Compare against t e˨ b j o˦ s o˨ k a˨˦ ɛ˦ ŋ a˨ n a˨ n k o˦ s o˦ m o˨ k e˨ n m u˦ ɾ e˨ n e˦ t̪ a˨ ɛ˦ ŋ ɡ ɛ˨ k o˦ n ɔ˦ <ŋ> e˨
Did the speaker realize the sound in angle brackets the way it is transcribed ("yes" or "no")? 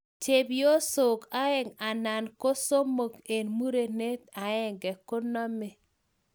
no